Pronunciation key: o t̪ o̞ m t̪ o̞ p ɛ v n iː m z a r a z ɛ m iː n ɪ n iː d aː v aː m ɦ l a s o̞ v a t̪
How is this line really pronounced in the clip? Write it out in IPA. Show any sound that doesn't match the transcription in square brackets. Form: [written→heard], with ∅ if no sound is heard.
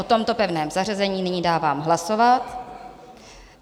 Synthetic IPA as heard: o t̪ o̞ m t̪ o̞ p ɛ v n [iː→ɛː] m z a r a z ɛ [m→ɲ] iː n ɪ [n→ɲ] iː d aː v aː m ɦ l a s o̞ v a t̪